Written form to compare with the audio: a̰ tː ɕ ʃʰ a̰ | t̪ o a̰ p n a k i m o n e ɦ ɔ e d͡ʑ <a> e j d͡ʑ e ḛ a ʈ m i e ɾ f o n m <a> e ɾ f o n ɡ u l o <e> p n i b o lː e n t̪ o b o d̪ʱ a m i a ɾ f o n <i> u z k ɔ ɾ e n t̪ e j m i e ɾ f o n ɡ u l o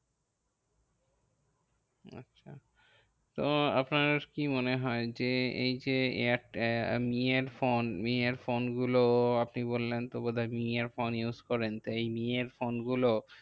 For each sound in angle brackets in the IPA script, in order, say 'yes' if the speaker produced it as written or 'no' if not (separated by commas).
no, no, no, no